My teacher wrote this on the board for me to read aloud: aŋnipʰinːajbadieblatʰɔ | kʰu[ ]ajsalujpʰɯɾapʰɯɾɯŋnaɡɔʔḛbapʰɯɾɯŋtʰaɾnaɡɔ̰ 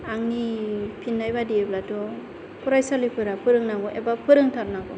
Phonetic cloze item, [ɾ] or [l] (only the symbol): ɾ